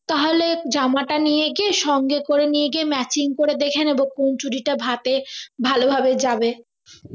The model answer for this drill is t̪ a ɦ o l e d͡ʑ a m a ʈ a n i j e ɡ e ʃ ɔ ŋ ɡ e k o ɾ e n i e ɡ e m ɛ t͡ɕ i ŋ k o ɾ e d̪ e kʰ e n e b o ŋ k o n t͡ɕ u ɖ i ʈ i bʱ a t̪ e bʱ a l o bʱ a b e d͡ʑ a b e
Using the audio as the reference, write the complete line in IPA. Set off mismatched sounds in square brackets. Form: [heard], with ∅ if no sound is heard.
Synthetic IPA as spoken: t̪ a ɦ o l e d͡ʑ a m a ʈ a n i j e ɡ e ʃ ɔ ŋ ɡ e k o ɾ e n i e ɡ e m ɛ t͡ɕ i ŋ k o ɾ e d̪ e kʰ e n e b o ŋ k o n t͡ɕ u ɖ i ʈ [a] bʱ a t̪ e bʱ a l o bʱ a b e d͡ʑ a b e